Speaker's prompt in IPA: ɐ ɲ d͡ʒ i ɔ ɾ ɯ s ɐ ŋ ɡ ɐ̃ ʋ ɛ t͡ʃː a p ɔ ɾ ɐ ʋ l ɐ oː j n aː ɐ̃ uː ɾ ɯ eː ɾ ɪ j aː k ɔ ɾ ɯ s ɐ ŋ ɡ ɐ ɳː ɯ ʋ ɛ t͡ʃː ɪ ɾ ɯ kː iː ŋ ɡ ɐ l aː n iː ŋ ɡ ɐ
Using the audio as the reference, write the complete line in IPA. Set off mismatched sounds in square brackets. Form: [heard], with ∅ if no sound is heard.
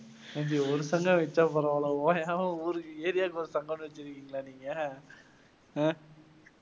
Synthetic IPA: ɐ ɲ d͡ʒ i ɔ ɾ ɯ s ɐ ŋ ɡ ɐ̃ ʋ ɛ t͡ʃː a p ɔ ɾ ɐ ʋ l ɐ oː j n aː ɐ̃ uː ɾ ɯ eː ɾ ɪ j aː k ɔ ɾ ɯ s ɐ ŋ ɡ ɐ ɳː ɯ ʋ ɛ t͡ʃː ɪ ɾ ɯ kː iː ŋ ɡ ɐ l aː n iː ŋ ɡ ɐ